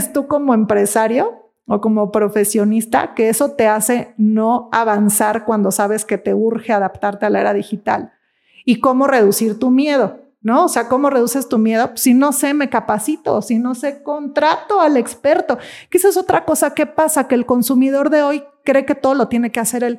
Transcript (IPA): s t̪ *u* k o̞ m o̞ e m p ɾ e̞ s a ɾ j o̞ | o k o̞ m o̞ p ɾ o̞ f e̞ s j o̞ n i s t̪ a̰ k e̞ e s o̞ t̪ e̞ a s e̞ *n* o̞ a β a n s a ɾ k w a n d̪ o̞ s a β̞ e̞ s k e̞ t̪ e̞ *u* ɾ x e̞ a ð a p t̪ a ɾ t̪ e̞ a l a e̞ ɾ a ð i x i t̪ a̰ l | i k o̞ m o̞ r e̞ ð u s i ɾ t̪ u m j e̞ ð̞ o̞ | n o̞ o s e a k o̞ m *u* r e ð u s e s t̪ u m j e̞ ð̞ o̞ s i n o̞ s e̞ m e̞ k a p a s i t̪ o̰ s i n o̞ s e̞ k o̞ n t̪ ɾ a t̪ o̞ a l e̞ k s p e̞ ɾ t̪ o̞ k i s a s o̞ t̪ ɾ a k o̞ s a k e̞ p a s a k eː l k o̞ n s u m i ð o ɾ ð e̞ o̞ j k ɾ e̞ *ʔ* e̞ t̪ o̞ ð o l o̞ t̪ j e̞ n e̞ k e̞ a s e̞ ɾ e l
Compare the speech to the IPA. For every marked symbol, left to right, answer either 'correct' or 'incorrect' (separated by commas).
correct, correct, correct, incorrect, incorrect